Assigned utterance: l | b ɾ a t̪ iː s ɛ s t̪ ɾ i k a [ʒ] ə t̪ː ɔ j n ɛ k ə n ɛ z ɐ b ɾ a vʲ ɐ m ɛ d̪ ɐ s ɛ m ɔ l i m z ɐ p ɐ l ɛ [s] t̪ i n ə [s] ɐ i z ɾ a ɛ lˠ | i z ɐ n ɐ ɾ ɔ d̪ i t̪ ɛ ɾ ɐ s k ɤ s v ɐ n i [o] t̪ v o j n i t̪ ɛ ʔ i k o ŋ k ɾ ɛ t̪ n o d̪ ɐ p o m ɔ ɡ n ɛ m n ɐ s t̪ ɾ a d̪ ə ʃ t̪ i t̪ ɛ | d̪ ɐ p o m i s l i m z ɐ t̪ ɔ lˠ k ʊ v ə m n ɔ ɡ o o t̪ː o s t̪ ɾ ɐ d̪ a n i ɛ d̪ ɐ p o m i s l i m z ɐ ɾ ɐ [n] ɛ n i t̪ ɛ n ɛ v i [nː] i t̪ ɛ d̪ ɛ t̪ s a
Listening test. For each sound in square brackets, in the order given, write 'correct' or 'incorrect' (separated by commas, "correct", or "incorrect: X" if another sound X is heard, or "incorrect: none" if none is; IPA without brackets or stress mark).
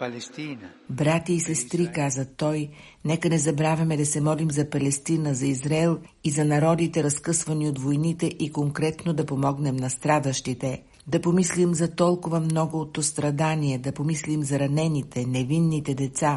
incorrect: z, correct, incorrect: z, correct, correct, correct